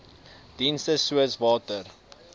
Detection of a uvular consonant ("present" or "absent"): absent